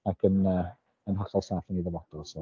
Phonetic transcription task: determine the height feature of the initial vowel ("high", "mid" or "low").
low